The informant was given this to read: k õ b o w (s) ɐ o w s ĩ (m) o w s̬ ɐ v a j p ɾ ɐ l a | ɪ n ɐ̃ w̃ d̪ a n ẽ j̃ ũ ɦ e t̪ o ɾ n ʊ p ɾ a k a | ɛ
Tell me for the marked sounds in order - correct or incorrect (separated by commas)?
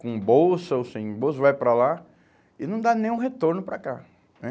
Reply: correct, incorrect